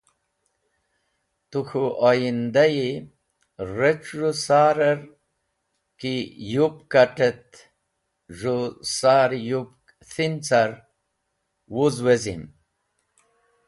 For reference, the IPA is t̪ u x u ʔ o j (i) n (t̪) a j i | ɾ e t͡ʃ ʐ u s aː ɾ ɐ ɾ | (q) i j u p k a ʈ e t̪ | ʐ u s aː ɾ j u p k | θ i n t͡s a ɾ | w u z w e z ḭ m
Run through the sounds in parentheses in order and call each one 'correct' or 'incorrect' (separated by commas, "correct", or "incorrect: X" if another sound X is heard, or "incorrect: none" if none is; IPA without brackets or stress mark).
correct, incorrect: d̪, incorrect: k